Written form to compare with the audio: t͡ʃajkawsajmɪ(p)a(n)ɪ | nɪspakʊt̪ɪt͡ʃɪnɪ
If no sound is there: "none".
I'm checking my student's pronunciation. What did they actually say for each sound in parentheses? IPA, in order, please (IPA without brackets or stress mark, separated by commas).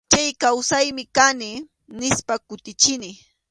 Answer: k, n